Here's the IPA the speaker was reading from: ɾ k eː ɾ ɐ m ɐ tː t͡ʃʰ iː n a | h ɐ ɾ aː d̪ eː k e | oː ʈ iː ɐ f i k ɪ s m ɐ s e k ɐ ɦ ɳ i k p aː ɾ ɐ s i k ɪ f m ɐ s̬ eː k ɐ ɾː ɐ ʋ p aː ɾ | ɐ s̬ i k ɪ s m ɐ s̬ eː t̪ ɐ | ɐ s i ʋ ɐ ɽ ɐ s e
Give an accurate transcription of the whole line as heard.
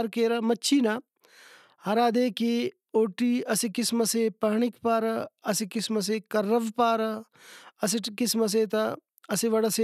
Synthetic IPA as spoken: ɾ k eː ɾ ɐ m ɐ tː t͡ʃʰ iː n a | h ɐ ɾ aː d̪ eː k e | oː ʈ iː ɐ s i k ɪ s m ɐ s e p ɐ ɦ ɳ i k p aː ɾ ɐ s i k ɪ s m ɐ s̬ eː k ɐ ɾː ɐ ʋ p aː ɾ | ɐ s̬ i k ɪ s m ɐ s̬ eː t̪ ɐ | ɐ s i ʋ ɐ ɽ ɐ s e